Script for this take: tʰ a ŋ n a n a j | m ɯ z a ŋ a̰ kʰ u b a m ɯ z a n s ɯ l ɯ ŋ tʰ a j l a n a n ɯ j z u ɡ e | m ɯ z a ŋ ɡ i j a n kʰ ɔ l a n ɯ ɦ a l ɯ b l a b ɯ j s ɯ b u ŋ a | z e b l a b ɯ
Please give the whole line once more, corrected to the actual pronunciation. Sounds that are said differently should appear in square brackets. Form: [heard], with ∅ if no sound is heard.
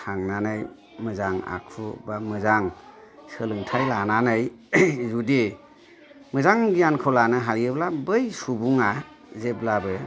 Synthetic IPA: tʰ a ŋ n a n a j | m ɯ z a ŋ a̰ kʰ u b a m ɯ z a [ŋ] s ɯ l ɯ ŋ tʰ a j l a n a n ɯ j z u [d] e | m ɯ z a ŋ ɡ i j a n kʰ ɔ l a n ɯ ɦ a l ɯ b l a b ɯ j s [u] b u ŋ a | z e b l a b ɯ

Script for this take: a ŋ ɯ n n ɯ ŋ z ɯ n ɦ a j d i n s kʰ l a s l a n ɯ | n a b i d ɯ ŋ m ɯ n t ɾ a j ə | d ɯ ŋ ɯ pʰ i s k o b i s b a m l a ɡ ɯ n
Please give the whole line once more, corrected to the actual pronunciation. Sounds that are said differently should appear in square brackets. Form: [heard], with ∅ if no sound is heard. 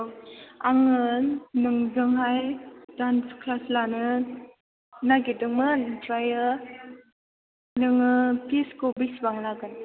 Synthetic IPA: a ŋ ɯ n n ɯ ŋ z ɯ [ŋ] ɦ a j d [a] n s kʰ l a s l a n ɯ | n a [ɡ] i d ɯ ŋ m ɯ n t ɾ a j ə | [n] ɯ ŋ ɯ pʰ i s k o b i s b a [ŋ] l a ɡ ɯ n

